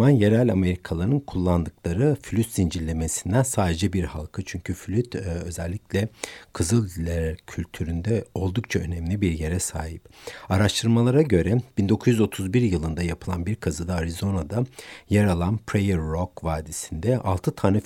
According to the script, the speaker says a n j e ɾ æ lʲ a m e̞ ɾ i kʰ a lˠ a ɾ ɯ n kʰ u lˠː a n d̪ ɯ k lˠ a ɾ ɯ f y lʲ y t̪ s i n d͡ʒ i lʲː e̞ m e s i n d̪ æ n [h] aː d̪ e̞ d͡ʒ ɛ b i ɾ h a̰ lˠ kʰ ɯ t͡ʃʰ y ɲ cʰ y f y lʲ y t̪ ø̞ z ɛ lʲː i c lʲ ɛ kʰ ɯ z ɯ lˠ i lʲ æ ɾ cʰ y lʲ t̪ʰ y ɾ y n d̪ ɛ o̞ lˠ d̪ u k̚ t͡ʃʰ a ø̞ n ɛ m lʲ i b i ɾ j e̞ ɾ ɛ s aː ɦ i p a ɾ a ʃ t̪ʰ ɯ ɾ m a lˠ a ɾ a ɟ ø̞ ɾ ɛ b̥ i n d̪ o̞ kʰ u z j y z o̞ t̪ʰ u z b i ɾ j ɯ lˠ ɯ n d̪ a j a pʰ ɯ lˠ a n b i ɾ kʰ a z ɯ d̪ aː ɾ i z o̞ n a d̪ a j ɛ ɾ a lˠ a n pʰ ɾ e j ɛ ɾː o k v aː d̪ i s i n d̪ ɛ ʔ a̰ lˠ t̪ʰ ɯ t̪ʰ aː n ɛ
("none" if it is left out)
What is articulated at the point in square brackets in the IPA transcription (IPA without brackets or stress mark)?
s